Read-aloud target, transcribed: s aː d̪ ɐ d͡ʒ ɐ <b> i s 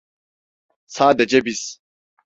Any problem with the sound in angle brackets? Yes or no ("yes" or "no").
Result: no